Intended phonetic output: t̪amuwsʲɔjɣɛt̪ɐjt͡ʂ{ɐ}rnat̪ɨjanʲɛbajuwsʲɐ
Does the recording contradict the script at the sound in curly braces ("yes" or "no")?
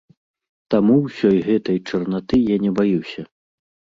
no